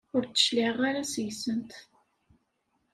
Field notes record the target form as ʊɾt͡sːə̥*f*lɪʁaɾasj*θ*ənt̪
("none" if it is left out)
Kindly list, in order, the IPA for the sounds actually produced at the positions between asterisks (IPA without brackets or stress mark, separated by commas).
ʃ, s